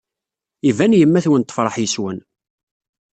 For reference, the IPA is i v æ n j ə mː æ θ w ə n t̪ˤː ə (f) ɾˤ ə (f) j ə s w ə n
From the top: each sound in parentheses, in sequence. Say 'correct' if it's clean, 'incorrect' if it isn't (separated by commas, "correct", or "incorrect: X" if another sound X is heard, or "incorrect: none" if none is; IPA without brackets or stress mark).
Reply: correct, incorrect: ħ